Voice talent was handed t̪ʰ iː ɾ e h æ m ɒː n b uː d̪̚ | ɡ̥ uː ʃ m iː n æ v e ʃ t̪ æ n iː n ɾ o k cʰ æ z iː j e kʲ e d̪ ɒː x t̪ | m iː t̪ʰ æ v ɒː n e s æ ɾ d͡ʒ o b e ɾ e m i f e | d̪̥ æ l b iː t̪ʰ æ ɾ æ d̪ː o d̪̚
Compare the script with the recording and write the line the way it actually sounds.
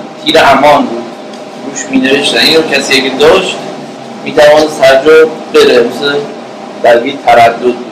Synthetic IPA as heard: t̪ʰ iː ɾ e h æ m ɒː n b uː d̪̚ | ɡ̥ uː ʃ m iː n e v e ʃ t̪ æ n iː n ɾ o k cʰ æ s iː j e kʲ e d̪ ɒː ʃ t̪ | m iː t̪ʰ æ v ɒː n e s æ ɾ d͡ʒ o b e ɾ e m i s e | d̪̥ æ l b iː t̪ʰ æ ɾ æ d̪ː o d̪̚